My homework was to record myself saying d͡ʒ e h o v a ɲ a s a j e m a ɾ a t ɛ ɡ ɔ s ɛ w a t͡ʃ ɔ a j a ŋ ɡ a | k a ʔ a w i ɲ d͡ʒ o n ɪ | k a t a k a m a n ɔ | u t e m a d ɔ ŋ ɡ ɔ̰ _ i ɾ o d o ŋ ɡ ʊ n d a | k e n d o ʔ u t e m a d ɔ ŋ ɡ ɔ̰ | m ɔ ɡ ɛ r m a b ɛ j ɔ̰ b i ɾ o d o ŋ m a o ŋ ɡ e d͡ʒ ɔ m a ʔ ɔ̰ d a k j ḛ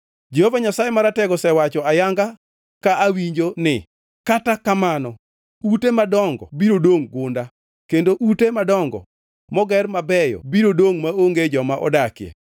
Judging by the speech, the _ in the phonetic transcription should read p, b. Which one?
b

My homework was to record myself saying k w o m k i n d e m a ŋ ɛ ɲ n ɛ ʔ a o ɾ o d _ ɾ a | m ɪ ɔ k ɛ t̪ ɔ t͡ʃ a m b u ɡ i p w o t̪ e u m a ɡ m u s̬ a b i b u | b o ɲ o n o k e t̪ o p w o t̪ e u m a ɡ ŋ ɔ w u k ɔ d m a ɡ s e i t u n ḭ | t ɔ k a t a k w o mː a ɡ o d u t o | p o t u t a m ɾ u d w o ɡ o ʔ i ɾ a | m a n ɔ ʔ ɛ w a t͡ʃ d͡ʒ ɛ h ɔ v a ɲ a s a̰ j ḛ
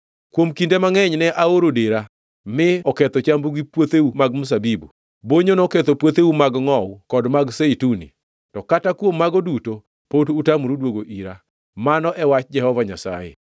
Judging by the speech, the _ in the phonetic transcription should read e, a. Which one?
e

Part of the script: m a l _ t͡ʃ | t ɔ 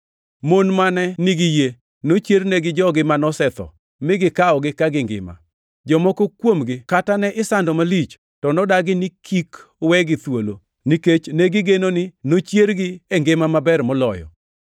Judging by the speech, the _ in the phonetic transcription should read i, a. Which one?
i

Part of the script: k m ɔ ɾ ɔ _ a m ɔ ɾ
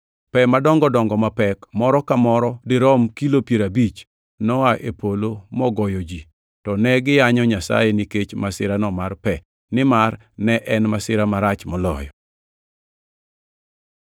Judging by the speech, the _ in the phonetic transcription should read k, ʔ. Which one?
k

